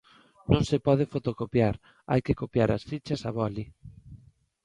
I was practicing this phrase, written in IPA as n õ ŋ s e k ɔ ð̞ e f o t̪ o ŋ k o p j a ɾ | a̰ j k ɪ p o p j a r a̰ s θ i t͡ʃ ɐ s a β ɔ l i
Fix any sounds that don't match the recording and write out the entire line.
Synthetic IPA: n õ ŋ s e p ɔ ð̞ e f o t̪ o k o p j a ɾ | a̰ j k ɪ k o p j a ɾ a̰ s f i t͡ʃ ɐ s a β ɔ l i